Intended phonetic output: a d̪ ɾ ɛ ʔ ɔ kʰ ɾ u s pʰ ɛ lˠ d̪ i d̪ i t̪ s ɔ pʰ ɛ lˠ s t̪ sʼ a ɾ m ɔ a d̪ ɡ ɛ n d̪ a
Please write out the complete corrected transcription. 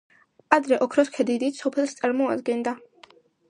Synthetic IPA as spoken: a d̪ ɾ ɛ ʔ ɔ kʰ ɾ ɔ s kʰ ɛ d̪ i d̪ i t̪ s ɔ pʰ ɛ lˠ s t̪ sʼ a ɾ m ɔ a d̪ ɡ ɛ n d̪ a